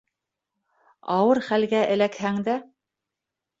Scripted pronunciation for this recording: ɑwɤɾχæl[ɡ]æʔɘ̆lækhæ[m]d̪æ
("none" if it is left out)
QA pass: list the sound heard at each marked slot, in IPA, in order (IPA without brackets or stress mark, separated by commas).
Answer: ɡ, ŋ